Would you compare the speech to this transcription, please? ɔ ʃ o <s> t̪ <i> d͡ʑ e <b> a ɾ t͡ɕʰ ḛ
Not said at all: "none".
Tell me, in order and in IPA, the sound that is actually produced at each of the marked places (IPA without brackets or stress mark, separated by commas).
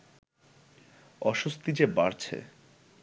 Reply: s, i, b